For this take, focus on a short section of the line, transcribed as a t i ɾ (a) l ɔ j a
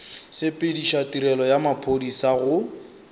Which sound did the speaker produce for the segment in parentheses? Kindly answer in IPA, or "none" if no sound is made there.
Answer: ɛ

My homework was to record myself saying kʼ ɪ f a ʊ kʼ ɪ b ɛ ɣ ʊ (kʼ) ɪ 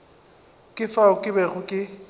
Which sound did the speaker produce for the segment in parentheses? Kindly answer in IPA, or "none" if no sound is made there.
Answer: kʼ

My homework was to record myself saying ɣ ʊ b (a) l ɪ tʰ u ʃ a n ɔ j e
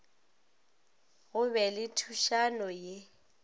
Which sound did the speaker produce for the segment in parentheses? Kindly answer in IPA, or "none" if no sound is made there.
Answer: ɛ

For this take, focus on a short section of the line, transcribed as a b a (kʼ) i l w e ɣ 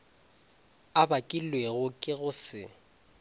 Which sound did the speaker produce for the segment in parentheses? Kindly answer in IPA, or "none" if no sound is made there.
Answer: kʼ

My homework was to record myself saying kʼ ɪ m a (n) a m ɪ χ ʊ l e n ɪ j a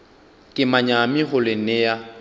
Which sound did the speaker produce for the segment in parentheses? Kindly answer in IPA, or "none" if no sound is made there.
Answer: ɲ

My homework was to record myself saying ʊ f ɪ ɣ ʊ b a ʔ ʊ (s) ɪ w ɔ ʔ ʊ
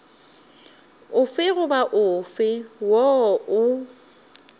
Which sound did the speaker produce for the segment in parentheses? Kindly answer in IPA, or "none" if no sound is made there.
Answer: f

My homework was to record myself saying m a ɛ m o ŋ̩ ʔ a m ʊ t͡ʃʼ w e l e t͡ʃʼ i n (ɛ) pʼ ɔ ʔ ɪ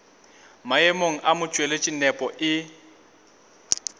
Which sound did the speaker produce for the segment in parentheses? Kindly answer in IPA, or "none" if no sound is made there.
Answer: ɛ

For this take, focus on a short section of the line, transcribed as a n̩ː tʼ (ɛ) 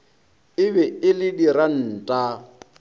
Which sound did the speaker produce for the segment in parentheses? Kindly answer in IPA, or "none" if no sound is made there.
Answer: a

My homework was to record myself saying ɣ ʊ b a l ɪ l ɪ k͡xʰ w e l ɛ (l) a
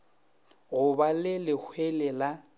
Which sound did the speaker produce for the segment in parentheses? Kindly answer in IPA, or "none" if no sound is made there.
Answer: l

